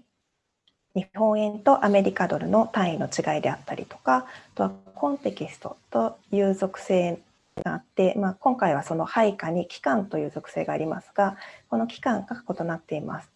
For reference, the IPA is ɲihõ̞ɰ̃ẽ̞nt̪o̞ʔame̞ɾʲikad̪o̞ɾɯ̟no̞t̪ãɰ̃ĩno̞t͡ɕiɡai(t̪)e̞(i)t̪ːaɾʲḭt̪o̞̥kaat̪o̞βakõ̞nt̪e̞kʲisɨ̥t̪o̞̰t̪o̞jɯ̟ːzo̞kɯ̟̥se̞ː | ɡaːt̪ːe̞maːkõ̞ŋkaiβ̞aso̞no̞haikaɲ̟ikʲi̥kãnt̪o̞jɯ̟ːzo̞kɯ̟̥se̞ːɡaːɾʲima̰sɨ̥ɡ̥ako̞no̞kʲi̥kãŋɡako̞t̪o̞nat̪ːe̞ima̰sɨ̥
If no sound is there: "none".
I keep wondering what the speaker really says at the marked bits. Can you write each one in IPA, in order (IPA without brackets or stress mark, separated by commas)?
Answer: d̪, a